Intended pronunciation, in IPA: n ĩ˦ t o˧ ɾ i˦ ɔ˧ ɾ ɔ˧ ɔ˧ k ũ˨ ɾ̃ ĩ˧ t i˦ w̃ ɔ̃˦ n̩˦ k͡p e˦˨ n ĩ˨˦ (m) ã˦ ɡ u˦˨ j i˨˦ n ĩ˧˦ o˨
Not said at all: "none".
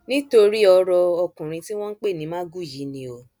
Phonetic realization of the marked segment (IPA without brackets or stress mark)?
m